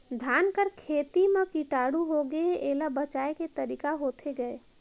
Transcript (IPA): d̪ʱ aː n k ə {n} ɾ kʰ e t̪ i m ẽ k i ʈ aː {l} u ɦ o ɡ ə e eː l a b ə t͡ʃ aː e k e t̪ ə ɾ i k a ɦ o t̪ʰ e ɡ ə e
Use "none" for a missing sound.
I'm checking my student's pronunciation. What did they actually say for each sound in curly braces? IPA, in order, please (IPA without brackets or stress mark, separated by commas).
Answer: none, ɽ